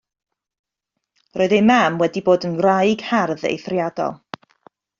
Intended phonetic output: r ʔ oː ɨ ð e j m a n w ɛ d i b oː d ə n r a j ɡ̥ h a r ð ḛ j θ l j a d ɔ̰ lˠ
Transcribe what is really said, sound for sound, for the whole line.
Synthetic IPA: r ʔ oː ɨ ð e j m a m w ɛ d i b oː d ə n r a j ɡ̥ h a r ð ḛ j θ r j a d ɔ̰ lˠ